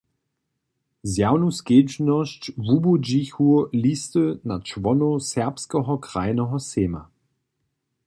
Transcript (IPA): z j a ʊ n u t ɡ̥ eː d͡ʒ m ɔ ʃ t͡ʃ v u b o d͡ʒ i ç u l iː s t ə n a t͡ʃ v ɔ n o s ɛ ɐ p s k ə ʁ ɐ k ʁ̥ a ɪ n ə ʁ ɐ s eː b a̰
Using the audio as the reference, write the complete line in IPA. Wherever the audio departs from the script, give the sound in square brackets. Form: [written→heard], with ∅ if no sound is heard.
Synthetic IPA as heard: z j a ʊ n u [t→s] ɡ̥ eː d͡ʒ [m→n] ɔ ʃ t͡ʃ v u b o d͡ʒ i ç u l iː s t ə n a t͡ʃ v ɔ n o s ɛ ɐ p s k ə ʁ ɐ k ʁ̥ a ɪ n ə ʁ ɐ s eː [b→m] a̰